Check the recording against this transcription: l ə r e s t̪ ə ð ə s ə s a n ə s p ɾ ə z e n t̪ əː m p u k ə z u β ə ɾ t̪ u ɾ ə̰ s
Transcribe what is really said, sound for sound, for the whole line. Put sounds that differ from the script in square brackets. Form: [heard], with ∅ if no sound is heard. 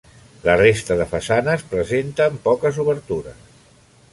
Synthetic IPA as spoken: l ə r e s t̪ ə ð ə [f] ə s a n ə s p ɾ ə z e n t̪ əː m p [ɔ] k ə z u β ə ɾ t̪ u ɾ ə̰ s